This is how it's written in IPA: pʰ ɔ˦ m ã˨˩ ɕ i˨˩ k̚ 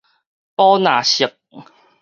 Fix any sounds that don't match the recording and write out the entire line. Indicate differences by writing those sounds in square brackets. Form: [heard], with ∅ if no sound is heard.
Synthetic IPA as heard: [p] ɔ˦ [n] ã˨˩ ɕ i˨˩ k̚